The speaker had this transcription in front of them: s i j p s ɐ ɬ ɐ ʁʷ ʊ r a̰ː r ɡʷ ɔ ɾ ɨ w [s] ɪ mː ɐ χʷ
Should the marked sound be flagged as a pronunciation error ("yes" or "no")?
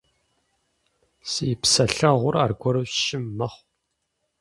yes